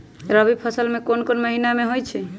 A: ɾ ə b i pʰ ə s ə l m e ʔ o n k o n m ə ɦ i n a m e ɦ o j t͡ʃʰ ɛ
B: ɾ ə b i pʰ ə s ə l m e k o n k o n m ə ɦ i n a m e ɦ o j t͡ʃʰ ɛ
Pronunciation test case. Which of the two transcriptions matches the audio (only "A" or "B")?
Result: B